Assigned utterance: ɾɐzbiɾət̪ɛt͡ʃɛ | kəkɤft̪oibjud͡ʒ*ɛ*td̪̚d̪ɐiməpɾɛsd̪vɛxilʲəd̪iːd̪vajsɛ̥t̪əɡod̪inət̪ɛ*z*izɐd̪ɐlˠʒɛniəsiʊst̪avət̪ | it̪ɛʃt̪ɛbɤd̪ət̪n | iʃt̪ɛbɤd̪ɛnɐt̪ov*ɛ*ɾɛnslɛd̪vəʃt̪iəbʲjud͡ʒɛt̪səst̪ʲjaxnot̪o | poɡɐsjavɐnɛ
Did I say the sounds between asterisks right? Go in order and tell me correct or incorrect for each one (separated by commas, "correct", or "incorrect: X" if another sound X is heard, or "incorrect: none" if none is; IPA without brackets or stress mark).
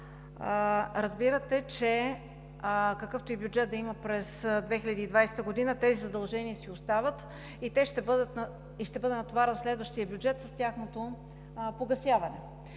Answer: correct, correct, incorrect: a